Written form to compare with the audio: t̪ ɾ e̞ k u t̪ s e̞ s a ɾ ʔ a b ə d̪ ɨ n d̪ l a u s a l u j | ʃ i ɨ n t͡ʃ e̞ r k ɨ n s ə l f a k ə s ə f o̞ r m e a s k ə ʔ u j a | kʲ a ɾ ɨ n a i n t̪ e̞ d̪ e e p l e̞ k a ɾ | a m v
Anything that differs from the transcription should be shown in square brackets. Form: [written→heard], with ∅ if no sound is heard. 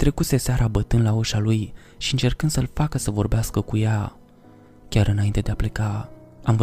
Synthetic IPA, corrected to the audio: t̪ ɾ e̞ k u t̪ s e̞ s a ɾ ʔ a b ə [d̪→t̪] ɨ n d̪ l a u [s→ʃ] a l u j | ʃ i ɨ n t͡ʃ e̞ r k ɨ n s ə l f a k ə s ə [f→v] o̞ r [m→b] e a s k ə [ʔ→k] u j a | kʲ a ɾ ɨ n a i n t̪ e̞ d̪ e [e→a] p l e̞ k a [ɾ→∅] | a m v